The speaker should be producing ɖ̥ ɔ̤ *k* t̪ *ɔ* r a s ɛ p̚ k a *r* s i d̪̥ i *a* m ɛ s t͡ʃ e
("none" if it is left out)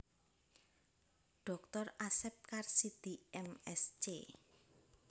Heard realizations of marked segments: k, ɔ, r, ɛ

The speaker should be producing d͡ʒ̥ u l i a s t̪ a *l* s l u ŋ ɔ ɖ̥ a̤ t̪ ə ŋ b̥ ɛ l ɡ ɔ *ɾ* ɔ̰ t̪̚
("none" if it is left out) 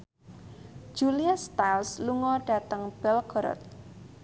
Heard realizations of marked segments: l, ɾ

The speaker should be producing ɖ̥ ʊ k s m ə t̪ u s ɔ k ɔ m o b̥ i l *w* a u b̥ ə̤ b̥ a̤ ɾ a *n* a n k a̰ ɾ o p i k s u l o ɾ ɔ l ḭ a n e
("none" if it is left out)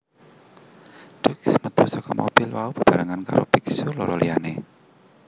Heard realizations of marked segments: w, ŋ

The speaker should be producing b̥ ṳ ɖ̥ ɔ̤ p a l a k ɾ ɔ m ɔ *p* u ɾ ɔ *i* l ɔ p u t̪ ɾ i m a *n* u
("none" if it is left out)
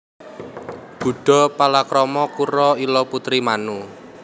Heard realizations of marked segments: k, i, n

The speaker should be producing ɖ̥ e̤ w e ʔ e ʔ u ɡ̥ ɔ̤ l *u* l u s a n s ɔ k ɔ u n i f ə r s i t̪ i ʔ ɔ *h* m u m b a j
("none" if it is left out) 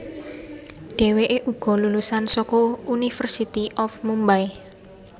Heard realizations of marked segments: u, f

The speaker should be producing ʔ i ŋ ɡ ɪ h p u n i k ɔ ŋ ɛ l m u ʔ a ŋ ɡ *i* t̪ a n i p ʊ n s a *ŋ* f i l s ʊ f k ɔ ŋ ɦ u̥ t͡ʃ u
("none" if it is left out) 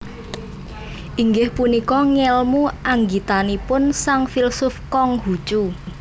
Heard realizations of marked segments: i, ŋ

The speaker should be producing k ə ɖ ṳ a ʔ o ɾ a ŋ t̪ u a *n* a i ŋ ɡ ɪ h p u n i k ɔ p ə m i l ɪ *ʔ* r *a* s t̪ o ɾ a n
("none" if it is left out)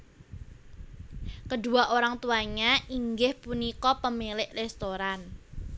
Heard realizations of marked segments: ɲ, ʔ, ɛ

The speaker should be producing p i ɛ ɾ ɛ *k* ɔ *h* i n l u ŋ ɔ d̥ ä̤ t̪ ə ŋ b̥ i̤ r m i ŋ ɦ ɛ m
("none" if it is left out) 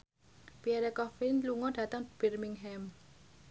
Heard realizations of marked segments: k, f

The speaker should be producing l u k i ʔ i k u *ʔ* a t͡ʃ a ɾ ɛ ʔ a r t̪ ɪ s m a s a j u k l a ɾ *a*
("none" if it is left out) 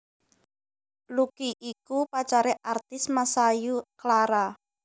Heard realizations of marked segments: p, a

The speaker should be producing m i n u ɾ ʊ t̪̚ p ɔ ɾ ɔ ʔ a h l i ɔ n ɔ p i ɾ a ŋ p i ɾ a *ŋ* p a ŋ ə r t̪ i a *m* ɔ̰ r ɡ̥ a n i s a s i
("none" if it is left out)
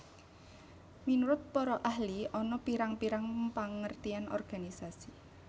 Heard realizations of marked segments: ŋ, n

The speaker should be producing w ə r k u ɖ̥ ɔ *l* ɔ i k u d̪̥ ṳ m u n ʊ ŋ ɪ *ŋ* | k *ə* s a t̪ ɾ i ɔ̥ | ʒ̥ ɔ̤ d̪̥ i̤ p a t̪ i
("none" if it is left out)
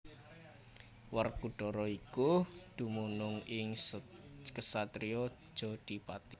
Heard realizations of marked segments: ɾ, ŋ, ə

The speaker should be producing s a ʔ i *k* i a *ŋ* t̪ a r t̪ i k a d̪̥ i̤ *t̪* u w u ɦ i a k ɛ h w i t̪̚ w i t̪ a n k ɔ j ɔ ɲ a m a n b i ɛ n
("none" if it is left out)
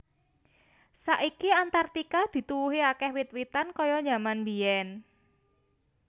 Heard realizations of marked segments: k, n, t̪

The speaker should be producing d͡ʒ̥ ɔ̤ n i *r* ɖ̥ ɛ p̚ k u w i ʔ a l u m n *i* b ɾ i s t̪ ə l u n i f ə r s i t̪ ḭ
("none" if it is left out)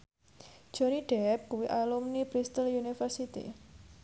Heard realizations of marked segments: none, i

